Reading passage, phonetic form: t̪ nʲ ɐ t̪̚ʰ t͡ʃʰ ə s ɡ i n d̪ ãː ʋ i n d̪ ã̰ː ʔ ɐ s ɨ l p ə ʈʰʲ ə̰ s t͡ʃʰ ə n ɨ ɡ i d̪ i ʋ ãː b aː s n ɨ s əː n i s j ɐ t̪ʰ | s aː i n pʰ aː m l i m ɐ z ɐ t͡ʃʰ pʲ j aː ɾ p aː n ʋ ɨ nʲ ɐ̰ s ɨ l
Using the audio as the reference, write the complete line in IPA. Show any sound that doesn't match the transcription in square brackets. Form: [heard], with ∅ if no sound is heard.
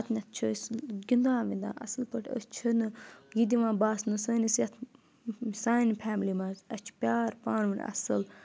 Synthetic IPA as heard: t̪ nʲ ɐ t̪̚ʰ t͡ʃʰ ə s ɡ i n d̪ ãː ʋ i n d̪ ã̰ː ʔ ɐ s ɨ l p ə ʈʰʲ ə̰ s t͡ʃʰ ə n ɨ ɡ i d̪ i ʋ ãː b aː s n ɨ s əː n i s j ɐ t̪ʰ | s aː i n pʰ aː m l i m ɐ z ɐ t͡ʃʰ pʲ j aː ɾ p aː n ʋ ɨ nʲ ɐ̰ s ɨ l